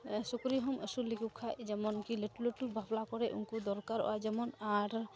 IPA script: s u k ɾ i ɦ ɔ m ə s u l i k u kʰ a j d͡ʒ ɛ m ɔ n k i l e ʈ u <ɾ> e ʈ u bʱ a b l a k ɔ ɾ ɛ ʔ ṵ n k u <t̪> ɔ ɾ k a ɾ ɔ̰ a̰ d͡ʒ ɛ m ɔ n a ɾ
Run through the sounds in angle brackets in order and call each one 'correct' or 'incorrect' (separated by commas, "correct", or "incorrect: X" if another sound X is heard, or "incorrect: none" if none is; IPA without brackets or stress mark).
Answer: incorrect: l, incorrect: d̪